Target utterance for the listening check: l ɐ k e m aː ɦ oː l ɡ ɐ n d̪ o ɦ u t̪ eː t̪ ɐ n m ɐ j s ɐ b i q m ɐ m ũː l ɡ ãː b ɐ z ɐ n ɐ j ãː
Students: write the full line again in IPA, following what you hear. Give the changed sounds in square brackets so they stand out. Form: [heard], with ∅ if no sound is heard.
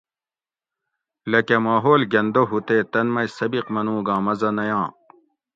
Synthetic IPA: l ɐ k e m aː ɦ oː l ɡ ɐ n d̪ o ɦ u t̪ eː t̪ ɐ n m ɐ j s ɐ b i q m ɐ [n] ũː [∅] ɡ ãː [m] ɐ z ɐ n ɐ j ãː